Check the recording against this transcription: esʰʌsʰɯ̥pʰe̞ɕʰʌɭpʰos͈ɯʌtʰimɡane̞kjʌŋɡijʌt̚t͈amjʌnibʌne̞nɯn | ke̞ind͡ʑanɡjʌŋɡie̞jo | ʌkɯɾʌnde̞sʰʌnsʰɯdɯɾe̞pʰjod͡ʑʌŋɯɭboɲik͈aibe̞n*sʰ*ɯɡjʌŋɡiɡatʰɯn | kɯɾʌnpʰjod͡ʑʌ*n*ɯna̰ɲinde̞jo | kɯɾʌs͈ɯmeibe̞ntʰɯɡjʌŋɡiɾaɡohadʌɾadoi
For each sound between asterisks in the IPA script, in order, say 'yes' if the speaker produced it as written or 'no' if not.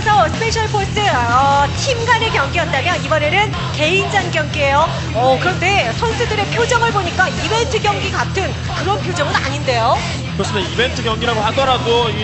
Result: no, no

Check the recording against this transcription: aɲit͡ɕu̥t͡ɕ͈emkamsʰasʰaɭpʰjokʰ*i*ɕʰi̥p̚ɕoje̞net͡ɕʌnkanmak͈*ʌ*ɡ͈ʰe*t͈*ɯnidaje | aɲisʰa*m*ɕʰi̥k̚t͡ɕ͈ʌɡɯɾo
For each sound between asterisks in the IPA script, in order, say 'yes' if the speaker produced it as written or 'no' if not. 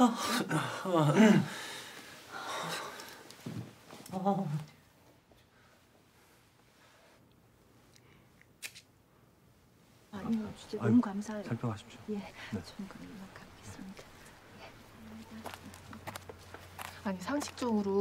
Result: no, no, no, no

